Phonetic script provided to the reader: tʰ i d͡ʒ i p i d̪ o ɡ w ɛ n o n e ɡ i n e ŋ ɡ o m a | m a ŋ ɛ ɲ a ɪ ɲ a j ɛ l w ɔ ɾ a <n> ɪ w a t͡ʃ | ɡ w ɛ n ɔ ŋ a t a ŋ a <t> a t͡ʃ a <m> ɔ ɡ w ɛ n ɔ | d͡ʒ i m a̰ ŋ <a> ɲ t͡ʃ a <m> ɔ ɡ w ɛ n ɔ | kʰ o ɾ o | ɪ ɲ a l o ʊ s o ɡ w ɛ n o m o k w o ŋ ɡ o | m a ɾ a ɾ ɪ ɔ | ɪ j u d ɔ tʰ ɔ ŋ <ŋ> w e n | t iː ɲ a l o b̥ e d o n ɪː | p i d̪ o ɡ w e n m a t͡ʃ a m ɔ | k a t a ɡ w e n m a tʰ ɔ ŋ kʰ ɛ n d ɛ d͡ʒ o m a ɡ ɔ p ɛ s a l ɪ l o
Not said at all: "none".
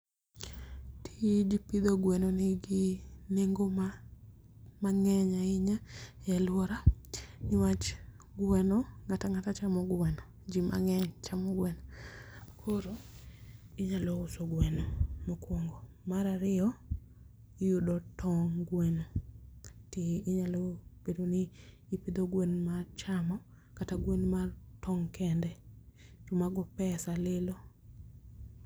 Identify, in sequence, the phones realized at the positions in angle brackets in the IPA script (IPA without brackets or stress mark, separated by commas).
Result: n, t, m, ɛ, m, ɡ